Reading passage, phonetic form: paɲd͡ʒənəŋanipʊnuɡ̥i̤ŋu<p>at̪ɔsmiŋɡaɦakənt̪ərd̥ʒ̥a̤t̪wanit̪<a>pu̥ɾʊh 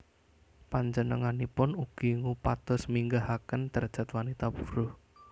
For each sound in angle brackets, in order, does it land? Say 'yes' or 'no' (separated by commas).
yes, yes